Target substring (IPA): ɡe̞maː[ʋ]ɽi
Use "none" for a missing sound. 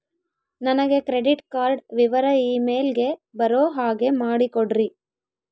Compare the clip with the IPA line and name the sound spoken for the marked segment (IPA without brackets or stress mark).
none